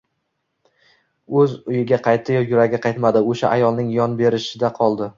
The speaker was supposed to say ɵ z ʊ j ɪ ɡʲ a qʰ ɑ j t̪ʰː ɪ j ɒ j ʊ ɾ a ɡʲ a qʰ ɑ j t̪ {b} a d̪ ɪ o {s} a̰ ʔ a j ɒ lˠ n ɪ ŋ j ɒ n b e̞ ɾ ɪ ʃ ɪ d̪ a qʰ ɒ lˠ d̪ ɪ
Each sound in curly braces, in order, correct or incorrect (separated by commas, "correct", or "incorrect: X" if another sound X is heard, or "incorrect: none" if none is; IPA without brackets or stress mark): incorrect: m, incorrect: ʃ